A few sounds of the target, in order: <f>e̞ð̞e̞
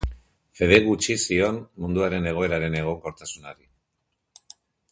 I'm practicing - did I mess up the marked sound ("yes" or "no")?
no